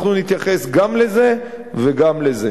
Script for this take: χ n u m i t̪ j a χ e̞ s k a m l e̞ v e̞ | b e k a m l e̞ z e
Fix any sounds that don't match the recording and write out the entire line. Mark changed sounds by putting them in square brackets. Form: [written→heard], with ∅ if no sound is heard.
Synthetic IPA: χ n u [m→n] i t̪ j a χ e̞ s [k→ɡ] a m l e̞ [v→z] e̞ | [b→v] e [k→ɡ] a m l e̞ z e